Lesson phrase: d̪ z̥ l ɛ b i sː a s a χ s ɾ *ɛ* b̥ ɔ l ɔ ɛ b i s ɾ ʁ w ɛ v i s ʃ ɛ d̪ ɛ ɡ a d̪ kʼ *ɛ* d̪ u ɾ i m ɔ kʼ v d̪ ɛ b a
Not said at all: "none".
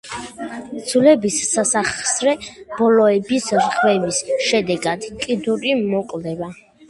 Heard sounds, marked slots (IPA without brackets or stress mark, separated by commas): ɛ, i